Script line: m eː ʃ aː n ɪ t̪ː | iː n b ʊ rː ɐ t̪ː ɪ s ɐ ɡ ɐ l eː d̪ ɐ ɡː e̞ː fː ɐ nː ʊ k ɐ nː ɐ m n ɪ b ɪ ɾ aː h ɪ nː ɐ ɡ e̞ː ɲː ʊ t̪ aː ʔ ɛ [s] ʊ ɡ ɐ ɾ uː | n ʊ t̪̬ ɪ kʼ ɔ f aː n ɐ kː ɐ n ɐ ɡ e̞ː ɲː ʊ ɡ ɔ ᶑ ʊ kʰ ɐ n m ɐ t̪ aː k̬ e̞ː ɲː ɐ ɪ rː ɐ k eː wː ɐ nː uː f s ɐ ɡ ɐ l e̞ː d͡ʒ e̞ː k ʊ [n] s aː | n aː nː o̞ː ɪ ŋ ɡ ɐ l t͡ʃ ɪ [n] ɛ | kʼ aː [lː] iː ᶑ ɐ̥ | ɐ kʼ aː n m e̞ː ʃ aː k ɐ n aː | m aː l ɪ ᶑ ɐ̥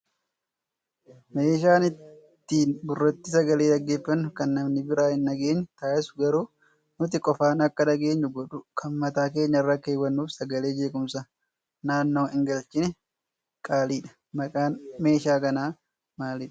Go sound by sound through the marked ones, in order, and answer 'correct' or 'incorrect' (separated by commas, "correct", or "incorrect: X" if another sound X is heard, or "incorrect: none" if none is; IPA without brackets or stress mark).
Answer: correct, incorrect: m, correct, incorrect: l